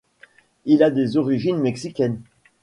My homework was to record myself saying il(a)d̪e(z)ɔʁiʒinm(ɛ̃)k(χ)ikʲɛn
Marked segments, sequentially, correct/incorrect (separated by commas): correct, correct, incorrect, incorrect